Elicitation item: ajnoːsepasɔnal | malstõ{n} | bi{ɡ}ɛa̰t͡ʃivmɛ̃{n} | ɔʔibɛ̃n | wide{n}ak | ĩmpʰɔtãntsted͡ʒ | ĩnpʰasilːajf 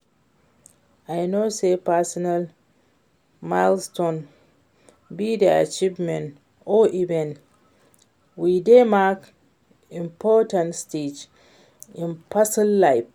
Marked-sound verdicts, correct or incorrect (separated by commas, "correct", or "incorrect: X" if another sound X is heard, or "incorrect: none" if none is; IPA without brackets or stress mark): correct, incorrect: d, correct, incorrect: m